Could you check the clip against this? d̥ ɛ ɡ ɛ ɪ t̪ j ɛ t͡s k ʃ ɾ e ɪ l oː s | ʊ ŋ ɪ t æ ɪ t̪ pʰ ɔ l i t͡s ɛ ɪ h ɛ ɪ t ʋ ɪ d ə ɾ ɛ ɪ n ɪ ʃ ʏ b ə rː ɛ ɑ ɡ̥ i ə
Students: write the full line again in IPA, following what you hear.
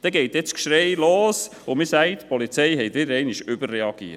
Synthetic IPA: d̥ ɛ ɡ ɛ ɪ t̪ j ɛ t͡s k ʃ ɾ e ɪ l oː s | ʊ m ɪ s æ ɪ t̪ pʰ ɔ l i t͡s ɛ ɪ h ɛ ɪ t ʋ ɪ d ə ɾ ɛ ɪ n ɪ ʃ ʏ b ə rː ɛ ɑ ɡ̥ i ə